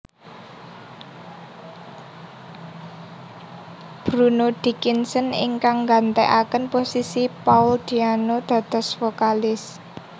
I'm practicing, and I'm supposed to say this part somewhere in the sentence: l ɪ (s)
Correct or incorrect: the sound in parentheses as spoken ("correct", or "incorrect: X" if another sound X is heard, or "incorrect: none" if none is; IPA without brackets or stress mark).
correct